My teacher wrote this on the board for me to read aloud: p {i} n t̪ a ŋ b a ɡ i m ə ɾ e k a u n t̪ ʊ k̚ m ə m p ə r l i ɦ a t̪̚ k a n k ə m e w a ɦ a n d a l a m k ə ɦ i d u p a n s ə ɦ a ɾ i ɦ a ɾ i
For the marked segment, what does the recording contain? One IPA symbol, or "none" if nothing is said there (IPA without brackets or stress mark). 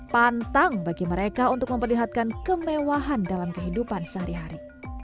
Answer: a